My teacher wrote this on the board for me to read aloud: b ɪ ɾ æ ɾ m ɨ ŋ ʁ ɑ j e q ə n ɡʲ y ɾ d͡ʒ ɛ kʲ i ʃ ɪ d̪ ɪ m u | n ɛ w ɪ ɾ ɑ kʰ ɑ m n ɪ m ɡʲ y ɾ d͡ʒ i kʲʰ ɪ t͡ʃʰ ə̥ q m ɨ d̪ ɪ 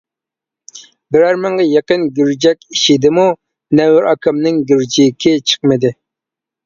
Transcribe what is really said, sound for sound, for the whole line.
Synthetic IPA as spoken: b ɪ ɾ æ ɾ m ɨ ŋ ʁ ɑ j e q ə n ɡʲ y ɾ d͡ʒ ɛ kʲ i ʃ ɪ d̪ ɪ m u | n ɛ w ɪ ɾ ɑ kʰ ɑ m n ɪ ŋ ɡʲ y ɾ d͡ʒ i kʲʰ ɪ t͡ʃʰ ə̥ q m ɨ d̪ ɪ

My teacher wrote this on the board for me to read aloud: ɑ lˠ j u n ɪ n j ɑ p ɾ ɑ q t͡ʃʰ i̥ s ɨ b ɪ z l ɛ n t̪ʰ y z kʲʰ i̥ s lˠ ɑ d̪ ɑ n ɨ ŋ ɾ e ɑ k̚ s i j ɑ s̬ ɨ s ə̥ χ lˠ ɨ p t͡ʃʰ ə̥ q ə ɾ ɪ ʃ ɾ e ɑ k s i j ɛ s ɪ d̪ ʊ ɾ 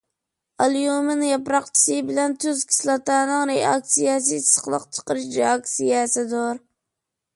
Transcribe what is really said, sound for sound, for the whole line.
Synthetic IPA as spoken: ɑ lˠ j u m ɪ n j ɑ p ɾ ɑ q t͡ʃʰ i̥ s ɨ b ɪ l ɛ n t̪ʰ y z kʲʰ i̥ s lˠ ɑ t̪ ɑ n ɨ ŋ ɾ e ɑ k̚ s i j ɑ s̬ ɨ s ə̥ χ lˠ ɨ q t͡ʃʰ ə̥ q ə ɾ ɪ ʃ ɾ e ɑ k s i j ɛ s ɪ d̪ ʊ ɾ

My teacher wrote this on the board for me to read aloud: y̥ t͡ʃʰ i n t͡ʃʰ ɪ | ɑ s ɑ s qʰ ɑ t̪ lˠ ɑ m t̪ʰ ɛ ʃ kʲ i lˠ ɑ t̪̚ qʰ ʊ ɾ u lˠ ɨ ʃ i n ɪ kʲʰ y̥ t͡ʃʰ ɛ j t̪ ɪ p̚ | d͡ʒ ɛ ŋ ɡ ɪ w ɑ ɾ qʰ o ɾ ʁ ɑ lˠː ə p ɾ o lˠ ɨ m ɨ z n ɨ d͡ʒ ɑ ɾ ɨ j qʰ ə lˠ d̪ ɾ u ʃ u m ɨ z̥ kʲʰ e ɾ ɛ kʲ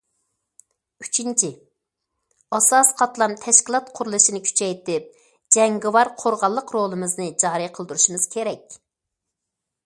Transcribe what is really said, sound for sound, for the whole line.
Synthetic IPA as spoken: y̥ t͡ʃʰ i n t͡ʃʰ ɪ | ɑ s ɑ s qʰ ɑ t̪ lˠ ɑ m t̪ʰ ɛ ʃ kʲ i lˠ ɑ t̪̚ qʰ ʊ ɾ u lˠ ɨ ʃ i n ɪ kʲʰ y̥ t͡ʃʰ ɛ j t̪ ɪ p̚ | d͡ʒ ɛ ŋ ɡ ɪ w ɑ ɾ qʰ o ɾ ʁ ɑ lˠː ə q ɾ o lˠ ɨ m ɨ z n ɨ d͡ʒ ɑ ɾ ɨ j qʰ ə lˠ d̪ ɾ u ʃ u m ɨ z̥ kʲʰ e ɾ ɛ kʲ

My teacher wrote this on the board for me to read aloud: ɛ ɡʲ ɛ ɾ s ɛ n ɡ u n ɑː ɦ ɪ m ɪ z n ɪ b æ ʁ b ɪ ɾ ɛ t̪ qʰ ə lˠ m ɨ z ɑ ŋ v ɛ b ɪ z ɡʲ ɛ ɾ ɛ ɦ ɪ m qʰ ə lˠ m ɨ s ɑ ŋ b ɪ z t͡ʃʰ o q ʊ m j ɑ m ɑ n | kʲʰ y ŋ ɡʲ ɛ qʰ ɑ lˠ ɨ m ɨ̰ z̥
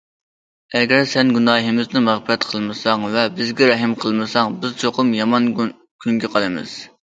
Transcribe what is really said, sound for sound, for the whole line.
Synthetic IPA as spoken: ɛ ɡʲ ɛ ɾ s ɛ n ɡ u n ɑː ɦ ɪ m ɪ z n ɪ m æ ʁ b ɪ ɾ ɛ t̪ qʰ ə lˠ m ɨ s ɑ ŋ v ɛ b ɪ z ɡʲ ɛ ɾ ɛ ɦ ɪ m qʰ ə lˠ m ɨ s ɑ ŋ b ɪ z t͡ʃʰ o q ʊ m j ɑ m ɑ n | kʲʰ y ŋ ɡʲ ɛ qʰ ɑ lˠ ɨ m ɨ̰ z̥

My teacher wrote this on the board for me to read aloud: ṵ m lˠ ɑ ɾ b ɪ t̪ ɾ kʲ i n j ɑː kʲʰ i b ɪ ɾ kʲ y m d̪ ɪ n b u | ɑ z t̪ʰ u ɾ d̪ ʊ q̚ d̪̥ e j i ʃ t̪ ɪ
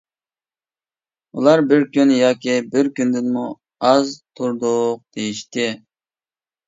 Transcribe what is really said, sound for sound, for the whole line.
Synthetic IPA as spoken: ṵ lˠ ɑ ɾ b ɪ ɾ kʲ y n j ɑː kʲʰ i b ɪ ɾ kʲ y n d̪ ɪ n m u | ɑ z t̪ʰ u ɾ d̪ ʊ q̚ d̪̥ e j i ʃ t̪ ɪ

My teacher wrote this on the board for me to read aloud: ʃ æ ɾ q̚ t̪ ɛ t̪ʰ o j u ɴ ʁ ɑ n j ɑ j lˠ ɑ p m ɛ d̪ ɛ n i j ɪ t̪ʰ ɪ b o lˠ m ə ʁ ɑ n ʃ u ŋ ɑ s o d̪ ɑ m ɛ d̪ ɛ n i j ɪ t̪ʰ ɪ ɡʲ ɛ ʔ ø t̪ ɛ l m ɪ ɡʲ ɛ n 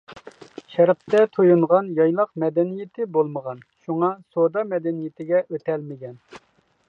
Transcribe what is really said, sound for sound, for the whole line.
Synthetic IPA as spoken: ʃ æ ɾ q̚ t̪ ɛ t̪ʰ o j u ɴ ʁ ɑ n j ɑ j lˠ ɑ q m ɛ d̪ ɛ n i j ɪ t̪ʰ ɪ b o lˠ m ə ʁ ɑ n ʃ u ŋ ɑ s o d̪ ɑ m ɛ d̪ ɛ n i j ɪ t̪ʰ ɪ ɡʲ ɛ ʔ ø t̪ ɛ l m ɪ ɡʲ ɛ n

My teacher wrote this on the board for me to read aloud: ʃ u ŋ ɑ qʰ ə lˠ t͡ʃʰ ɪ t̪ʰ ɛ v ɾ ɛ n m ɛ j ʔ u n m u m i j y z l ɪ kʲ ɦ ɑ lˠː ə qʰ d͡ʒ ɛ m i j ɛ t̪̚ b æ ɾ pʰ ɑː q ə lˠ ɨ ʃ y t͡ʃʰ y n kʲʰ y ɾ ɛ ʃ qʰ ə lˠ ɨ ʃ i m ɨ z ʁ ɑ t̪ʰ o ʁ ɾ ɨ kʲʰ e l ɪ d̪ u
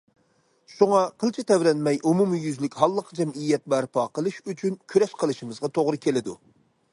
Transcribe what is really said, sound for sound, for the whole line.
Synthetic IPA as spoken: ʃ u ŋ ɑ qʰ ə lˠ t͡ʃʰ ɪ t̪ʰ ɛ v ɾ ɛ n m ɛ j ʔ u m u m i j y z l ɪ kʲ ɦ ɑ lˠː ə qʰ d͡ʒ ɛ m i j ɛ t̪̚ b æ ɾ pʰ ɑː q ə lˠ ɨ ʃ y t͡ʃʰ y n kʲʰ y ɾ ɛ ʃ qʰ ə lˠ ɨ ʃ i m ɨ z ʁ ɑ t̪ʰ o ʁ ɾ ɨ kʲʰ e l ɪ d̪ u

